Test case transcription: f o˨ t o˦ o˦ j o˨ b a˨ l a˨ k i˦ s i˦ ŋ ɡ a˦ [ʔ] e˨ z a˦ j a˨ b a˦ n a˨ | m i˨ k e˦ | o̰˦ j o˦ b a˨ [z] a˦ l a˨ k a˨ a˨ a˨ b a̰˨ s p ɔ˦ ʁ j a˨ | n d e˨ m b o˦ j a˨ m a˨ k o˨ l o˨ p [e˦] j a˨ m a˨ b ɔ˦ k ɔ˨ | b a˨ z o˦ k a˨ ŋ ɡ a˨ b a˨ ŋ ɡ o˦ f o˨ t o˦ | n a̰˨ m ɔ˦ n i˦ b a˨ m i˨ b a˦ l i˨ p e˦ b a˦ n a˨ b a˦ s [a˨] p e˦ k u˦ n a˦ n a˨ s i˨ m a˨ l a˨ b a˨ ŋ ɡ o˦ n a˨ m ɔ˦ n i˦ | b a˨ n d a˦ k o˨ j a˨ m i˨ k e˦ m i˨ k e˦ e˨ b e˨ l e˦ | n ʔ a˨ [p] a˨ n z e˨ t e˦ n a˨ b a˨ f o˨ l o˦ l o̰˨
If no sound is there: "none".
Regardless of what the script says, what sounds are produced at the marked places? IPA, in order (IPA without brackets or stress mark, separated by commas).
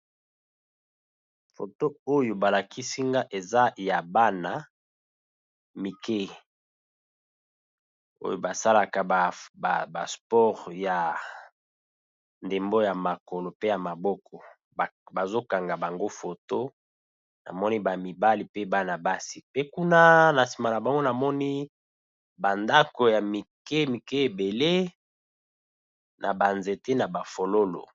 ʔ, s, e˦, i˨, b